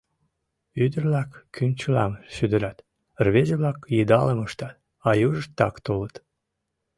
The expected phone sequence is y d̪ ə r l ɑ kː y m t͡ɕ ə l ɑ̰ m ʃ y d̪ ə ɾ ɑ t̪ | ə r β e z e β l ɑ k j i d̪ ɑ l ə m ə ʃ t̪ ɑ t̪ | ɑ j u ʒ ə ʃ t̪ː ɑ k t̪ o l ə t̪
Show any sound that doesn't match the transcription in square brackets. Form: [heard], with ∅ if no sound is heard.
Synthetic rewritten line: y d̪ ə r l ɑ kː y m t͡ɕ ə l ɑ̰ m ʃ y d̪ ə ɾ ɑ t̪ | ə r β e z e β l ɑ k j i d̪ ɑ l ə m ə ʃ t̪ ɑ t̪ | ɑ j u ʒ ə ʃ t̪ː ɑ k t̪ o l ə t̪

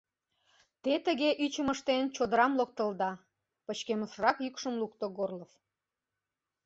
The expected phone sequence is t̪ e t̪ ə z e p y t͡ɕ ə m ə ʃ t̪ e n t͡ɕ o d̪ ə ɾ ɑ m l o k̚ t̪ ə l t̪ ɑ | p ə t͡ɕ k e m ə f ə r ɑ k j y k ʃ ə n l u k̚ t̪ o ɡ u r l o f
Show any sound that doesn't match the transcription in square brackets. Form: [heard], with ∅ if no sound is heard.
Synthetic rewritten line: t̪ e t̪ ə [ɣ] e [ʔ] y t͡ɕ ə m ə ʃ t̪ e n t͡ɕ o d̪ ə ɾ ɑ m l o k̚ t̪ ə l [d̪] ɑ | p ə t͡ɕ k e m ə [ʃ] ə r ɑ k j y k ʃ ə [m] l u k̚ t̪ o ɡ [o] r l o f

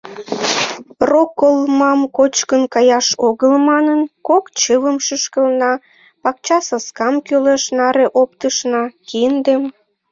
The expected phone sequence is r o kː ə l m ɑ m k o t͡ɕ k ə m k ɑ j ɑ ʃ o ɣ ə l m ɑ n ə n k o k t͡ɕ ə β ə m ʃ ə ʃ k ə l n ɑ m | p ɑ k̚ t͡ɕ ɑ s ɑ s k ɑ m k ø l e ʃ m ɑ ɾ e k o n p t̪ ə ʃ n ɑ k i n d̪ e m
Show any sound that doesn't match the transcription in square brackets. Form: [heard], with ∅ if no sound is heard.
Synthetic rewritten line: r o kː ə l m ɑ m k o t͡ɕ k ə [n] k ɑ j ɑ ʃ o ɣ ə l m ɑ n ə n k o k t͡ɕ ə β ə m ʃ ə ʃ k ə l n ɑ [∅] | p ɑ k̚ t͡ɕ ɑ s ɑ s k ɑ m k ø l e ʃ [n] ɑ ɾ e [ʔ] o [∅] p t̪ ə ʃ n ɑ k i n d̪ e m

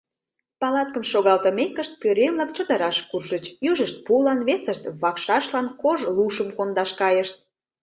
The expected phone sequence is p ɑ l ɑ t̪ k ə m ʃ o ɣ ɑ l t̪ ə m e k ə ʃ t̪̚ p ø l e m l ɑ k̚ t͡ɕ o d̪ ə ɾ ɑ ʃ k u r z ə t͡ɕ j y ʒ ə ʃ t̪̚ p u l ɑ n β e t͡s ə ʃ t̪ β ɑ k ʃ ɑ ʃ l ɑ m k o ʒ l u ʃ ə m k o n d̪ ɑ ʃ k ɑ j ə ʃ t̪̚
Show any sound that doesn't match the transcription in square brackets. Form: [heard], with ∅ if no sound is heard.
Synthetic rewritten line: p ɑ l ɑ t̪ k ə m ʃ o ɣ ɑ l t̪ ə m e k ə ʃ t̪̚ p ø [ɾ] e m l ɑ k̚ t͡ɕ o d̪ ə ɾ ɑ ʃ k u r [ʒ] ə t͡ɕ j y ʒ ə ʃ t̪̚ p u l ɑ n β e t͡s ə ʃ t̪ β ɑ k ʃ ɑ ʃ l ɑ [n] k o ʒ l u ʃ ə m k o n d̪ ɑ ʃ k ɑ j ə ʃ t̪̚

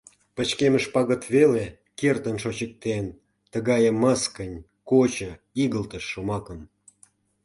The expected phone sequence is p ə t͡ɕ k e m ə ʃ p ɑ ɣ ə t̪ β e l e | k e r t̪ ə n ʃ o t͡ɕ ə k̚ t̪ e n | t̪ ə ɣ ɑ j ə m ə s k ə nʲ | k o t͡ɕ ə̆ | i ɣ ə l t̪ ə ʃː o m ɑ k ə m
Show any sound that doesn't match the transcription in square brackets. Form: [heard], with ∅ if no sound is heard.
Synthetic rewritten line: p ə t͡ɕ k e m ə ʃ p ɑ ɣ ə t̪ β e l e | k e r t̪ ə n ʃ o t͡ɕ ə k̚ t̪ e n | t̪ ə ɣ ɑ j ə m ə s k ə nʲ | k o t͡ɕ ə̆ | i ɣ ə l t̪ ə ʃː o m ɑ k ə m

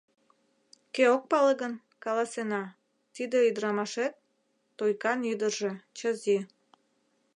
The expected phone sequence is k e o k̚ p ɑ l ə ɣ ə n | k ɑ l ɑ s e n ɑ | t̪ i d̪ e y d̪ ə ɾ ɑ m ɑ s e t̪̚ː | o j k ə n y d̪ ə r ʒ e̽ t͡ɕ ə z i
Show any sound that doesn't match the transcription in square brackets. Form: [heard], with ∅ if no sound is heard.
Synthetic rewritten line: k e o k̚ p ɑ l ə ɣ ə n | k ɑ l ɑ s e n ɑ | t̪ i d̪ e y d̪ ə ɾ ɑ m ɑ [ʃ] e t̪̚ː | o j k [ɑ] n y d̪ ə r ʒ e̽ t͡ɕ ə z i

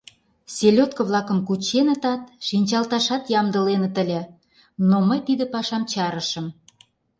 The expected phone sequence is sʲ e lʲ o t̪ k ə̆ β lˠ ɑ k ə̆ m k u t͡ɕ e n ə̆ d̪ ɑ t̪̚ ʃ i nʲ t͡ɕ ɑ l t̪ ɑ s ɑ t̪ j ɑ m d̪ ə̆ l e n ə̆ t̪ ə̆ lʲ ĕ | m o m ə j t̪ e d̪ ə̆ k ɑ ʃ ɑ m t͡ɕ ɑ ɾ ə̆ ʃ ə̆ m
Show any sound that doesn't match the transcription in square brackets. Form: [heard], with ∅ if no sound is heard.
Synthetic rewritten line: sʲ e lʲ o t̪ k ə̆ β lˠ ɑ k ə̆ m k u t͡ɕ e n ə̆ [t̪] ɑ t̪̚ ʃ i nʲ t͡ɕ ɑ l t̪ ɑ [ʃ] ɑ t̪ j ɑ m d̪ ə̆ l e n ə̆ t̪ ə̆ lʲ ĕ | [n] o m ə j t̪ [i] d̪ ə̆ [p] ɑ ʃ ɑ m t͡ɕ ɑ ɾ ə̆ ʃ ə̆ m

